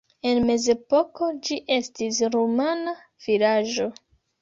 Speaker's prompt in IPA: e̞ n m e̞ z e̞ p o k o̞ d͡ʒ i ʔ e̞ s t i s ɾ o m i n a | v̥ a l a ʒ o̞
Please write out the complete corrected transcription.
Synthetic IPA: e̞ n m e̞ z e̞ p o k o̞ d͡ʒ i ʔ e̞ s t i s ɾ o m a n a | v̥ i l a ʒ o̞